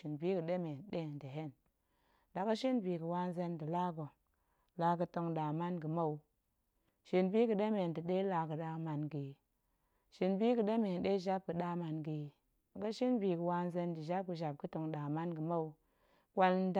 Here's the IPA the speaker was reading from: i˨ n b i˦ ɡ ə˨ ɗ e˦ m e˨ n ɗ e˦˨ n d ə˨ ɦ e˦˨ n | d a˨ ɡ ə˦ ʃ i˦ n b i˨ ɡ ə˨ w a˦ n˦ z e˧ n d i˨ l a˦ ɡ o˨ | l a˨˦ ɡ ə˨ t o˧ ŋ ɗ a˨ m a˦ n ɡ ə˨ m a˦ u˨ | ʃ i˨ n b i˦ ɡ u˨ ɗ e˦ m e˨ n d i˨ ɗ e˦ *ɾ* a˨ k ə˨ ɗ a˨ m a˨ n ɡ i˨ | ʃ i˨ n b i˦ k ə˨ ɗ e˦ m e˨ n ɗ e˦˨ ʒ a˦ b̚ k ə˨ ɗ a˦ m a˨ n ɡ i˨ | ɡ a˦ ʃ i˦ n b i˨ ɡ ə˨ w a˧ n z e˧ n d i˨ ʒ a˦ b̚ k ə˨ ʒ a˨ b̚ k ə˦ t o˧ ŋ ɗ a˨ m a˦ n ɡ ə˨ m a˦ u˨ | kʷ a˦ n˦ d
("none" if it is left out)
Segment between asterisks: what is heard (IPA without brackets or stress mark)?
l